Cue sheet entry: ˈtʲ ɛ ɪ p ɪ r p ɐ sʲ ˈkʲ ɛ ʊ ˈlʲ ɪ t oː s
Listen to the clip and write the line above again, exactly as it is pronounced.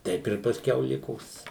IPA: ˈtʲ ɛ ɪ p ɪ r p ɐ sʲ ˈkʲ ɛ ʊ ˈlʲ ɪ k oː s